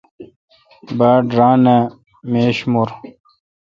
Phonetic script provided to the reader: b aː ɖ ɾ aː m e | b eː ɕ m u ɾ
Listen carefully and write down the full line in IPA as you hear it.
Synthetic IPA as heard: b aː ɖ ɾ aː n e | m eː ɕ m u ɾ